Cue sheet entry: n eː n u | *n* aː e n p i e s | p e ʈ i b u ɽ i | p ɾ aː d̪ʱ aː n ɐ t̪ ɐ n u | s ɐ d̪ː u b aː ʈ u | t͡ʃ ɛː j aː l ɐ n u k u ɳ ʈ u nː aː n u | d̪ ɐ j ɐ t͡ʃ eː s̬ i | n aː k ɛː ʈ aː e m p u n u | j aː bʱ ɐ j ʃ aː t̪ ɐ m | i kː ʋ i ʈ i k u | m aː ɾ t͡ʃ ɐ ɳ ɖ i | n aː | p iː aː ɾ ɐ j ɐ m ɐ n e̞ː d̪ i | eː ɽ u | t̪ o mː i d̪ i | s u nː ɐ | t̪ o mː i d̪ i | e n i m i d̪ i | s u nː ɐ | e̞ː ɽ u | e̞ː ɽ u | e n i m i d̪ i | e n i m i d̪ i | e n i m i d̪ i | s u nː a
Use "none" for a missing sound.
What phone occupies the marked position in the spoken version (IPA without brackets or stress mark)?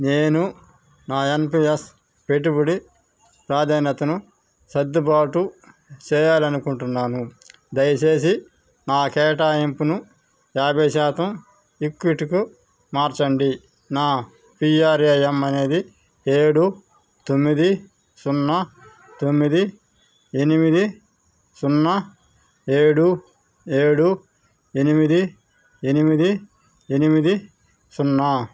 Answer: n